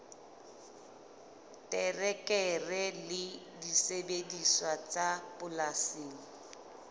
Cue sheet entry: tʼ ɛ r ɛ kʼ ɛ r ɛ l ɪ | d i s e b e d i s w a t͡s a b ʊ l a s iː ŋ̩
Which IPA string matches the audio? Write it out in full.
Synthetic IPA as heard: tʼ ɛ r ɛ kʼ ɛ r ɛ l ɪ | d i s e b e d i s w a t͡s a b ʊ l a s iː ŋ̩